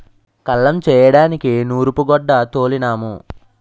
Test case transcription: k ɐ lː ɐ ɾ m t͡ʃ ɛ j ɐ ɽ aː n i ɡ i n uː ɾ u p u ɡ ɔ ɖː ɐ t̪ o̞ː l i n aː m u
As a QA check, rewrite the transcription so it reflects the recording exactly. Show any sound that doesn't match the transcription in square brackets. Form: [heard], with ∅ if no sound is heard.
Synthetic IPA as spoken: k ɐ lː ɐ [∅] m t͡ʃ [ɛː] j ɐ ɽ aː n i [k] i n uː ɾ u p u ɡ ɔ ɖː ɐ t̪ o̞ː l i n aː m u